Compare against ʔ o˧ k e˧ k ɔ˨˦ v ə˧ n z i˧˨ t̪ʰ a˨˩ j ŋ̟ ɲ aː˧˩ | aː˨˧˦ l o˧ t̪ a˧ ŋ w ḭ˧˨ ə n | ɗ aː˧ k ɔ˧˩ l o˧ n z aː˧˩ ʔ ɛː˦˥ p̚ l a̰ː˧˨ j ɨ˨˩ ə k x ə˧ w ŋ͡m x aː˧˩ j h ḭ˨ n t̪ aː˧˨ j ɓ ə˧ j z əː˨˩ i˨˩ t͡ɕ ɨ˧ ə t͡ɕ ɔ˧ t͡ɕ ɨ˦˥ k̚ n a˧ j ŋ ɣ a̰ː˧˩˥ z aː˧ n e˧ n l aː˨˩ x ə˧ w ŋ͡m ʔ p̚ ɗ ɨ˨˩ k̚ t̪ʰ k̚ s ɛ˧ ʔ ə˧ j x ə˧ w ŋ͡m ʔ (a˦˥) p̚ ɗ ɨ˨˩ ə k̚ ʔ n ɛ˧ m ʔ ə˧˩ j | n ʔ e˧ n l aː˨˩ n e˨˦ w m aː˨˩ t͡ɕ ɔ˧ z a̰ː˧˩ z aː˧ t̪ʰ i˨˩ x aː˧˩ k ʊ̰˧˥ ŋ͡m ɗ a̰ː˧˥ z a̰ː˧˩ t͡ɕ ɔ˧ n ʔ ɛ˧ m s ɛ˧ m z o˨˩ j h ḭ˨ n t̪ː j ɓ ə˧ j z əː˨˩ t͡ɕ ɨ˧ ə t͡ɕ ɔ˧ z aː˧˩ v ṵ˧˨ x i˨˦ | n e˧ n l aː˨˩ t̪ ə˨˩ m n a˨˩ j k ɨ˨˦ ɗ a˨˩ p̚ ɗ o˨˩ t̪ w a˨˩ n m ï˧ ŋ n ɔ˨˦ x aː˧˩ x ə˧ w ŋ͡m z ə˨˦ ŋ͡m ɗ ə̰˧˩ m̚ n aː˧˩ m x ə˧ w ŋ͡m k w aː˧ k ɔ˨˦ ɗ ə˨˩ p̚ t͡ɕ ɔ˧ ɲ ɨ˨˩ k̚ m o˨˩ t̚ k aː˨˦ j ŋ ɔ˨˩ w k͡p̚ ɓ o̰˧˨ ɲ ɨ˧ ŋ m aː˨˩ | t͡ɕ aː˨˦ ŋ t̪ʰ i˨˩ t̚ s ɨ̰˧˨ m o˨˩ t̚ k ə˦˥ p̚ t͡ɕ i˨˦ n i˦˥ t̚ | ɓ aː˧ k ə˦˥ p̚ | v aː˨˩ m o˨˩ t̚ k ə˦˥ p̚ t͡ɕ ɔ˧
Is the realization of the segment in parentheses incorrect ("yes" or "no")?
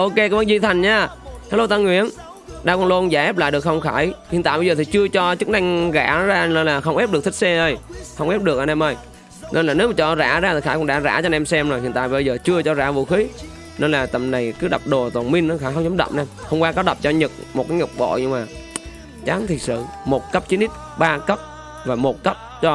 yes